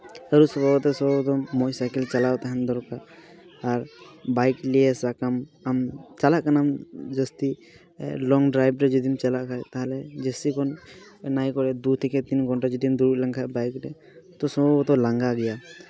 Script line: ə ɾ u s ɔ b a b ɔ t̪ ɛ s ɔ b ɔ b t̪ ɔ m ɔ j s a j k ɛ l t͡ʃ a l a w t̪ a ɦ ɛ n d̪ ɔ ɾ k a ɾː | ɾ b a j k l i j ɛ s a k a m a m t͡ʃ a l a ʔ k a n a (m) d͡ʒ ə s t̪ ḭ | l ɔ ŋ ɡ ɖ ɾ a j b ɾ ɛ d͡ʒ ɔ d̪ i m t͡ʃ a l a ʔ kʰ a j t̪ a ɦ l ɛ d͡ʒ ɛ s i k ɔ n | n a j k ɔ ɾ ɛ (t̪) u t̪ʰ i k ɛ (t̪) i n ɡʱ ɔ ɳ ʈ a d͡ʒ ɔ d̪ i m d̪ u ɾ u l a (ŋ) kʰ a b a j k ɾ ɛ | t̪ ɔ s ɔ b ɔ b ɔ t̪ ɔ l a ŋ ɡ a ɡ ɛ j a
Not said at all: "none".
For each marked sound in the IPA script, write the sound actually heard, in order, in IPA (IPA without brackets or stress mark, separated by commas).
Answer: m, d̪, t̪, ŋ